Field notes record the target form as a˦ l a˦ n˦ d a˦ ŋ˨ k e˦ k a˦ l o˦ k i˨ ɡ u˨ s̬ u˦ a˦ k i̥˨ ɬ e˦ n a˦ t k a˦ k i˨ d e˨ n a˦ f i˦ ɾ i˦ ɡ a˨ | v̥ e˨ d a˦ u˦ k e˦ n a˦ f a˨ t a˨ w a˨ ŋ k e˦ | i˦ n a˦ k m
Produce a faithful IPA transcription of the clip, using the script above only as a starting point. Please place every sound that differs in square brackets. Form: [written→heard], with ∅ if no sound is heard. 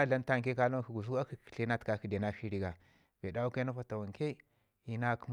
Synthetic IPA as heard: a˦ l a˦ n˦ [d→t] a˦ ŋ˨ k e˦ k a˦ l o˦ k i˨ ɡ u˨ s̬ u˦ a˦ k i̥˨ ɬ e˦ n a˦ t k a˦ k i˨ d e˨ n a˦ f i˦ ɾ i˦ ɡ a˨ | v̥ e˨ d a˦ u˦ k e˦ n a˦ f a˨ t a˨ w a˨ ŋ k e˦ | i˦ n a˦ k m